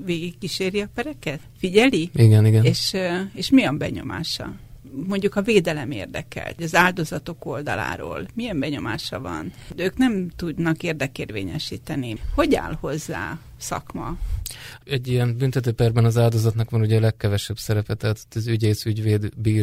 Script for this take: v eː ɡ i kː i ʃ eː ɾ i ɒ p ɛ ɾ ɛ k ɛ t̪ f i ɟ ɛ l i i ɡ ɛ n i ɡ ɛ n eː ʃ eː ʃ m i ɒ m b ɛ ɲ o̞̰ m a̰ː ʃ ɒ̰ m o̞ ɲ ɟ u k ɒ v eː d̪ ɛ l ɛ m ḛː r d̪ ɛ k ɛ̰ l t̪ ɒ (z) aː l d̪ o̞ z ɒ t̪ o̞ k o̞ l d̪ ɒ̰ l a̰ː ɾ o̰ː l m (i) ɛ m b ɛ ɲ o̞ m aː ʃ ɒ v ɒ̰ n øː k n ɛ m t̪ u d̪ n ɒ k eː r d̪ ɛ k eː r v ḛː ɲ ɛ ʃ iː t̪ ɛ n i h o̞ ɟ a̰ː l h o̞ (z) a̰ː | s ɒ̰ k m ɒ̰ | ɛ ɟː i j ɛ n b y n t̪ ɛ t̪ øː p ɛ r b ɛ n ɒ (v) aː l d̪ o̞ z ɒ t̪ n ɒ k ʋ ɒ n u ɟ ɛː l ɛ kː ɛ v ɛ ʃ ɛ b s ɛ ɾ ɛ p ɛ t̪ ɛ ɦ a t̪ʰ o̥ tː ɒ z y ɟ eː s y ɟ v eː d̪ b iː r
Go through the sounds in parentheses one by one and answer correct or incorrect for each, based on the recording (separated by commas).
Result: correct, correct, incorrect, incorrect